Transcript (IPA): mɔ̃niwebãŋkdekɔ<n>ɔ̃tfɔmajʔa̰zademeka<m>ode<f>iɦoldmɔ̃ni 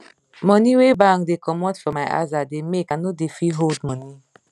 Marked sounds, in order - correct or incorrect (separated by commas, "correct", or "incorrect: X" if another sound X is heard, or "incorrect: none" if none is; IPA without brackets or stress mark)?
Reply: incorrect: m, incorrect: n, correct